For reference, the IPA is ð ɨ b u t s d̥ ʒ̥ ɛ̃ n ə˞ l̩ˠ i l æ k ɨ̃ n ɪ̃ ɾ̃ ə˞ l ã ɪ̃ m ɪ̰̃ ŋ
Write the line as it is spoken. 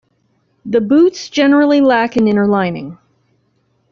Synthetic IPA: ð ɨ b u t s d̥ ʒ̥ ɛ n ə˞ l̩ˠ i l æ k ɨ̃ n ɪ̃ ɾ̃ ə˞ l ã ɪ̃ n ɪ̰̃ ŋ